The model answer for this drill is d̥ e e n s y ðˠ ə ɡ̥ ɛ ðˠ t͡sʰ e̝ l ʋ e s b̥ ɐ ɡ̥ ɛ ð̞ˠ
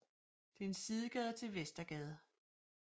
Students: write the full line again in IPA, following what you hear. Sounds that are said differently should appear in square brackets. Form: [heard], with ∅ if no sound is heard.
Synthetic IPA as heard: d̥ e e n s [i] ðˠ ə ɡ̥ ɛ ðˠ t͡sʰ e̝ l ʋ e s [d̥] ɐ ɡ̥ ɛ ð̞ˠ

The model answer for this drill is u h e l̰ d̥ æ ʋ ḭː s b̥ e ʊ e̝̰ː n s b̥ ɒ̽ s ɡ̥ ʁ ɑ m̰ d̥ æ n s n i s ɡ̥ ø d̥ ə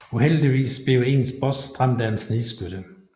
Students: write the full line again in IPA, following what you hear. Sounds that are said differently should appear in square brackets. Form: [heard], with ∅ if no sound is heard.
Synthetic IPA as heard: u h e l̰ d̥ [i] ʋ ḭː s b̥ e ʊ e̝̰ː n s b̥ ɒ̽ s [d̥] ʁ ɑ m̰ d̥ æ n s n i s ɡ̥ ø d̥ ə

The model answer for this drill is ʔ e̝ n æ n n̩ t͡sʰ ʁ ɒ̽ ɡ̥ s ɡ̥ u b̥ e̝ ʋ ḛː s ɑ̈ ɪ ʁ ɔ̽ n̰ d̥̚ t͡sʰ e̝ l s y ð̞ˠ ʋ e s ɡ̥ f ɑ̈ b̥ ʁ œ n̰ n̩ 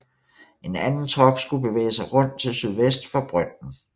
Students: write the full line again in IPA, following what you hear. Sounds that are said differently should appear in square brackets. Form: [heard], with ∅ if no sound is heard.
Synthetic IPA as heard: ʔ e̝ n æ n n̩ t͡sʰ ʁ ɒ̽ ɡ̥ s ɡ̥ u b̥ e̝ ʋ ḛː s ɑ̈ ɪ ʁ ɔ̽ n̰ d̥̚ t͡sʰ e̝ l s y ð̞ˠ ʋ e s [d̥] f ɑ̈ b̥ ʁ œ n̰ n̩

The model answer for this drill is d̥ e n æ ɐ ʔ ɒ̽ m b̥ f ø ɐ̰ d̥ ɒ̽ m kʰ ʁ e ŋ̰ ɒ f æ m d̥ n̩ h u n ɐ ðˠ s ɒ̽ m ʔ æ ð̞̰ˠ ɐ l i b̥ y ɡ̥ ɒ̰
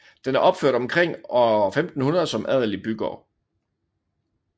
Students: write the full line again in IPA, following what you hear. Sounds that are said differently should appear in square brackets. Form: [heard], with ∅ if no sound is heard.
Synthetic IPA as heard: d̥ e n æ ɐ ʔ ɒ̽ [∅] b̥ f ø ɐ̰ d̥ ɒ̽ m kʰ ʁ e ŋ̰ ɒ f [e] m d̥ n̩ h u n ɐ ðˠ s ɒ̽ m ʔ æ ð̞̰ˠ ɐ l i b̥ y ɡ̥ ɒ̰

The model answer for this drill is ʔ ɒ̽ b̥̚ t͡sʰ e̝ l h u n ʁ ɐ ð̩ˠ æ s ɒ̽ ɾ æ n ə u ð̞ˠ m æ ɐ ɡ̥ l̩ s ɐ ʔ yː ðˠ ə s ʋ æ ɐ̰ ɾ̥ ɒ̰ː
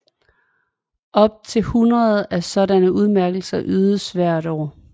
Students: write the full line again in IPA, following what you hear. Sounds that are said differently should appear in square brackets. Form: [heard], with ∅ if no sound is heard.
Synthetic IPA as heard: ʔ ɒ̽ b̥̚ t͡sʰ e̝ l h u n ʁ ɐ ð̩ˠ æ s ɒ̽ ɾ æ n ə u ð̞ˠ m æ ɐ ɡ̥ l̩ s ɐ ʔ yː ðˠ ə s ʋ æ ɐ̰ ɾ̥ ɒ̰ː

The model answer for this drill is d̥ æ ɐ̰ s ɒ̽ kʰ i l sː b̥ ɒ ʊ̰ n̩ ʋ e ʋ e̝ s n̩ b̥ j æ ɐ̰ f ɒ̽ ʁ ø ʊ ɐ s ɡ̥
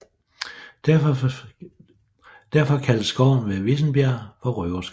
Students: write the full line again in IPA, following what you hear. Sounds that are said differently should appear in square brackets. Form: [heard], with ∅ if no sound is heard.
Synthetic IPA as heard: d̥ æ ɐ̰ [f] ɒ̽ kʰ [æ] l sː [ɡ̥] ɒ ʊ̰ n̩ ʋ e ʋ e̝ s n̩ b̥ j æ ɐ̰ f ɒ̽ ʁ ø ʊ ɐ s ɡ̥

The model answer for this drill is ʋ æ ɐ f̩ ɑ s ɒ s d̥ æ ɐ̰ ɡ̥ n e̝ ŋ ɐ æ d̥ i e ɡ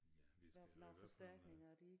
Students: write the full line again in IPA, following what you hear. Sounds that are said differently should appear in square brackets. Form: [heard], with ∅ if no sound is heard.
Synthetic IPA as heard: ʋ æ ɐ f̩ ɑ [f] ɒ s d̥ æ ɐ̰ ɡ̥ n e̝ ŋ ɐ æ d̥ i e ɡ

